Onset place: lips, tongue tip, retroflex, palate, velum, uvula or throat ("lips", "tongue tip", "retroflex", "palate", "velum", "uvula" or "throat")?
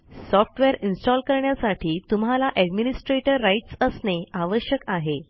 tongue tip